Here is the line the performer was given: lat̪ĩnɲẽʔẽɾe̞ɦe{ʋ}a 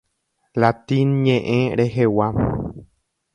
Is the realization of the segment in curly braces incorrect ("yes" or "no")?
yes